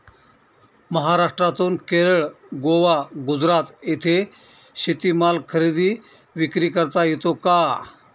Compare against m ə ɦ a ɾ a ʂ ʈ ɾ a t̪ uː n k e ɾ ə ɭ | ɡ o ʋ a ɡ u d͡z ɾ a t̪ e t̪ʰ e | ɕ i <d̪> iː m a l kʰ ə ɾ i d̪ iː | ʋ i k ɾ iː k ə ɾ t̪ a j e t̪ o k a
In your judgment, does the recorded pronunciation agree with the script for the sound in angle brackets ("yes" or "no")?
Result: no